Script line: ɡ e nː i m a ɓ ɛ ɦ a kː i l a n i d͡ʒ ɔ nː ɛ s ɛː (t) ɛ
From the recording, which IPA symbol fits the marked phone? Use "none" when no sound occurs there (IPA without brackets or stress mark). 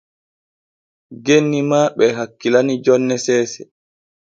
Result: s